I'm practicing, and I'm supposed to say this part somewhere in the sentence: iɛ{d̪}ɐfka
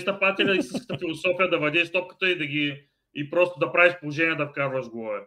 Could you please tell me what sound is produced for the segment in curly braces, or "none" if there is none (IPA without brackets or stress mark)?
d̪